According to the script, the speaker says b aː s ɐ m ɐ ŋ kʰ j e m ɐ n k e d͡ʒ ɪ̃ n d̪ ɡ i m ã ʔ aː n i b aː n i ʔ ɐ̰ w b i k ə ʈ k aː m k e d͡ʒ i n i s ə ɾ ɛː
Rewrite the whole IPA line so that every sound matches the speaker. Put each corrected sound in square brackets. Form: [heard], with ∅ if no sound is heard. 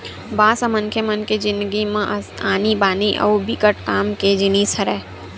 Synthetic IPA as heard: b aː s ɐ m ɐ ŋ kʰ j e m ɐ n k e d͡ʒ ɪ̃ n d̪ ɡ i m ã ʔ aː n i b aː n i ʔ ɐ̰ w b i k ə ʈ k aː m k e d͡ʒ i n i s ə ɾ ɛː